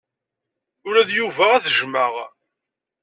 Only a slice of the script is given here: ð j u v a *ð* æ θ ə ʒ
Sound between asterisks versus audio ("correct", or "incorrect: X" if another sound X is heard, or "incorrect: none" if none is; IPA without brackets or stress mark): incorrect: ʁ